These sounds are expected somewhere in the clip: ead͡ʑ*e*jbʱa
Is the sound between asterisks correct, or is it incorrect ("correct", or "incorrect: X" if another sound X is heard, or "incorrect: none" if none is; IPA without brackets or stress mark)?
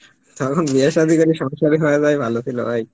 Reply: incorrect: a